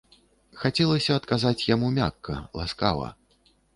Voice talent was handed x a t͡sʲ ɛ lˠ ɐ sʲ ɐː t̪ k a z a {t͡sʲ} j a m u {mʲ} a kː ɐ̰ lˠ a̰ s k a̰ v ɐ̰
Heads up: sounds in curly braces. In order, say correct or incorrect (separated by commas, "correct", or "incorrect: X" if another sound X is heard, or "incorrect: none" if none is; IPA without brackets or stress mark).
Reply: correct, correct